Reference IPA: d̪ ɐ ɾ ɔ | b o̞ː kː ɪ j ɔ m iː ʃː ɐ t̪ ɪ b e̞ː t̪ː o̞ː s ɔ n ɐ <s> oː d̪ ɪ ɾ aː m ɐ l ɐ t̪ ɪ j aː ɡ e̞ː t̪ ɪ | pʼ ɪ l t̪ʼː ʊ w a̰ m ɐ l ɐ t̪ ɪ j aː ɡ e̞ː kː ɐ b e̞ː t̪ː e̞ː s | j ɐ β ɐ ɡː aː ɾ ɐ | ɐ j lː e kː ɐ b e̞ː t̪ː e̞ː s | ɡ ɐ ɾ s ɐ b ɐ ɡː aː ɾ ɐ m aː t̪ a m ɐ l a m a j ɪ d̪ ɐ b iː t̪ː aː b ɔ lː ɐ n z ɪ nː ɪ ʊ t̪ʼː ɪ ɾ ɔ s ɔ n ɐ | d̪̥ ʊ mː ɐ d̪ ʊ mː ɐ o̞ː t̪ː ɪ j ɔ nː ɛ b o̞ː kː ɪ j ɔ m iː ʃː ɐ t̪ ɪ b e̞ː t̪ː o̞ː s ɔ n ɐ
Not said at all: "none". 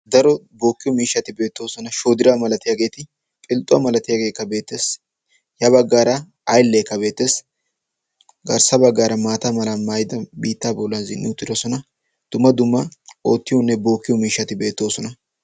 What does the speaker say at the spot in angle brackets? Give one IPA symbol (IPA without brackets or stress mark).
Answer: ʃ